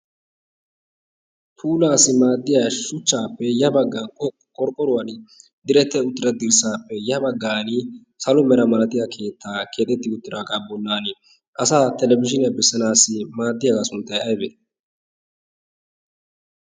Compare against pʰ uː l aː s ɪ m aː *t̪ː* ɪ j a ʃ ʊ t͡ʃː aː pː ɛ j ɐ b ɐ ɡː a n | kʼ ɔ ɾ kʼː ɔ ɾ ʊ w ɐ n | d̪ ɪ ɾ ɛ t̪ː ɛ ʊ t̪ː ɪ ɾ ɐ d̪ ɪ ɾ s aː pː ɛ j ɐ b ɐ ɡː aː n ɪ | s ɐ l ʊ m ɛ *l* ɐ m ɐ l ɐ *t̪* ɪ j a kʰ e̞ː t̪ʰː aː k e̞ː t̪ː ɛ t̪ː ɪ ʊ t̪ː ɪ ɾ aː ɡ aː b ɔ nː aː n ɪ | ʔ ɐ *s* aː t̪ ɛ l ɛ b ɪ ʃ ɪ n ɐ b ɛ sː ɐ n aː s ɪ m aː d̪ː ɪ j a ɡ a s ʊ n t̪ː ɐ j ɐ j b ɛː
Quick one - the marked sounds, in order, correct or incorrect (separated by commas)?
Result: incorrect, incorrect, correct, correct